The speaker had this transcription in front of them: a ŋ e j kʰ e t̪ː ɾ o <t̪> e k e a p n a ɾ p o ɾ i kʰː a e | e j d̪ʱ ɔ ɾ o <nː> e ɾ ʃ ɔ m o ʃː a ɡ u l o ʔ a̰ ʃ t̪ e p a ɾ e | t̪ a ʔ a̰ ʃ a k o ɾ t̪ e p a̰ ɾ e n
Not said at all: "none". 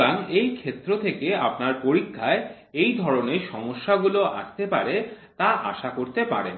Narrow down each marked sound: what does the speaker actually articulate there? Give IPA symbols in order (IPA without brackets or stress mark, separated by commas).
t̪ʰ, n